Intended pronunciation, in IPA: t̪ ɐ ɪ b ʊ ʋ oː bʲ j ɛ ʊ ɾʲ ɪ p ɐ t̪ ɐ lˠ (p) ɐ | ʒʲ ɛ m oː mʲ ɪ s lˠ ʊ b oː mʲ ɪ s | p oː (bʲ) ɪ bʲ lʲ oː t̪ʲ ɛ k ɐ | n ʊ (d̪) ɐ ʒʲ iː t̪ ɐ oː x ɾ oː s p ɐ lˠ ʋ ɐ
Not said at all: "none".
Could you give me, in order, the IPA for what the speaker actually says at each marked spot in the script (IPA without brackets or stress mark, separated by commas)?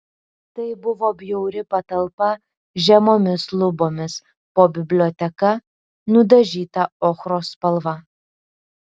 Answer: p, bʲ, d̪